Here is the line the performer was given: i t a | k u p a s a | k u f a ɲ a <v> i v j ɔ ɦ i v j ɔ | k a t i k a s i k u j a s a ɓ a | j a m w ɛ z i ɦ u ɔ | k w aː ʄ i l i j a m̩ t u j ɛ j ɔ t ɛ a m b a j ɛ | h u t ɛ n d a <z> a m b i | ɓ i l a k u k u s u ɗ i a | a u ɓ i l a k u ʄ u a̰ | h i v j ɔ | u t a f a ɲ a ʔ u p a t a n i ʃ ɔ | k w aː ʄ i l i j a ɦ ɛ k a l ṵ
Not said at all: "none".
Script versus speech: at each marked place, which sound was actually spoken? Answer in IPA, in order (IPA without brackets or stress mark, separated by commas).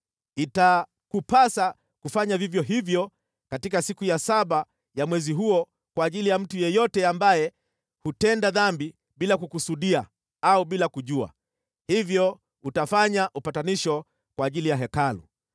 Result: v, ð